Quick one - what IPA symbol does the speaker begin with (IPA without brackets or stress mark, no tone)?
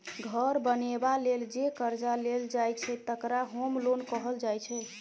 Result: ɡʱ